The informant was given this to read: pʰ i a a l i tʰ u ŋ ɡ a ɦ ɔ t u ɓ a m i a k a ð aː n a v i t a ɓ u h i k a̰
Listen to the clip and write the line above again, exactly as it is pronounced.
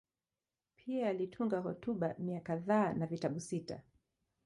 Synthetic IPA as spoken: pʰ i a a l i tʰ u ŋ ɡ a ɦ ɔ t u ɓ a m i a k a ð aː n a v i t a ɓ u s i t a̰